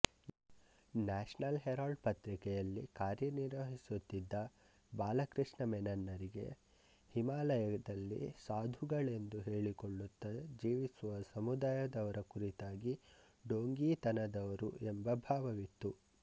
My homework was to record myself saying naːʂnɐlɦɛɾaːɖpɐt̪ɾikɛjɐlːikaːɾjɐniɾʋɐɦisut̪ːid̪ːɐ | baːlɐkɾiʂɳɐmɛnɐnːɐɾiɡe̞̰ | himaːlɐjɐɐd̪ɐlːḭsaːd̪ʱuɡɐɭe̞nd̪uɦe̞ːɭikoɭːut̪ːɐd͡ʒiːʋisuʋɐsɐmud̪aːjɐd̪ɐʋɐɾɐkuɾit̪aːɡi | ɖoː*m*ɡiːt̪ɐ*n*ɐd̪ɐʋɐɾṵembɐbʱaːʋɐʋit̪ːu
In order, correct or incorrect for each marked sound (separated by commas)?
incorrect, correct